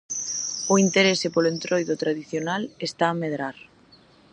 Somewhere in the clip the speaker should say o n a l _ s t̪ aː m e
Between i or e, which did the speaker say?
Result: e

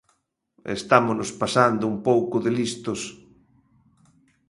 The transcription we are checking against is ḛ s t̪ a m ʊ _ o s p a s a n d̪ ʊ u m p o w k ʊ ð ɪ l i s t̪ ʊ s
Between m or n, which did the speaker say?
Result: n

